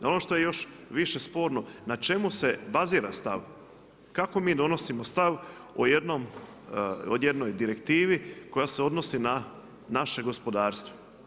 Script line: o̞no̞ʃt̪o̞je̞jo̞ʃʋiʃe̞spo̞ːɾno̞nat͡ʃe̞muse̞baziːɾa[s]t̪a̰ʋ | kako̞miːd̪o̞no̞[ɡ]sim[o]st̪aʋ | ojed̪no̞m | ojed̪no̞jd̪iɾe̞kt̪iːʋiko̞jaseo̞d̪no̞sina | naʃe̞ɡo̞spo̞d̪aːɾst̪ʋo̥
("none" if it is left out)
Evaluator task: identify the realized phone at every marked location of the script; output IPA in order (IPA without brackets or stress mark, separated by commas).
s, none, o